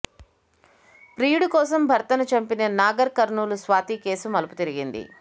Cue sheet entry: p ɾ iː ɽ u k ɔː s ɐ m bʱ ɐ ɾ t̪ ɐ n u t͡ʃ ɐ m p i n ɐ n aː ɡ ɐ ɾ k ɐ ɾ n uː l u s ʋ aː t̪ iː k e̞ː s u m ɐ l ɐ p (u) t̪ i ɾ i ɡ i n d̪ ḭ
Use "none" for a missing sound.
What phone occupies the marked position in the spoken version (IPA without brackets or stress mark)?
u